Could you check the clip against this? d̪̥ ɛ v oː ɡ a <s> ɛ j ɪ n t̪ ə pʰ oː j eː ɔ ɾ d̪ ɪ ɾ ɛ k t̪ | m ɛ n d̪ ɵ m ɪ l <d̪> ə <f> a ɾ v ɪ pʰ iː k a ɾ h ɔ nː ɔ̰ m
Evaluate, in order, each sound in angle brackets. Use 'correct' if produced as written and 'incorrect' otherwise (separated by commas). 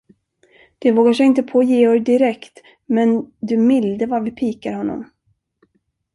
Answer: incorrect, correct, incorrect